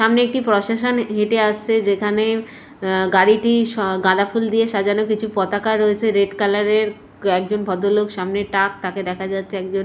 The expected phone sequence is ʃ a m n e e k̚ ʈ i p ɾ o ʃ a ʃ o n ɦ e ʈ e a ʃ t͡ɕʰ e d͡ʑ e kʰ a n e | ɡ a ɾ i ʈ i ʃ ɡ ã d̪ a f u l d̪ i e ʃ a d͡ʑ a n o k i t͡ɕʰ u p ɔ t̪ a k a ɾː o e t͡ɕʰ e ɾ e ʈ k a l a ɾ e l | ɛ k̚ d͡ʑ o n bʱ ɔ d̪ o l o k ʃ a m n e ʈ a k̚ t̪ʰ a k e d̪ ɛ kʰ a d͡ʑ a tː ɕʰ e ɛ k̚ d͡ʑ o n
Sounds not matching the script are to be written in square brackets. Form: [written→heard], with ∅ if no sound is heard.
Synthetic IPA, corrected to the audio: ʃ a m n e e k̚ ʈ i p ɾ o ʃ a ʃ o n ɦ e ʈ e a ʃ t͡ɕʰ e d͡ʑ e kʰ a n e | ɡ a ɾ i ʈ i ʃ ɡ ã d̪ a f u l d̪ i e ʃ a d͡ʑ a n o k i t͡ɕʰ u p ɔ t̪ a k a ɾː o e t͡ɕʰ e ɾ e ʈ k a l a ɾ e [l→ɾ] | ɛ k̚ d͡ʑ o n bʱ ɔ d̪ o l o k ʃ a m n e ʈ a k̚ [t̪ʰ→t̪] a k e d̪ ɛ kʰ a d͡ʑ a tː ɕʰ e ɛ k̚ d͡ʑ o n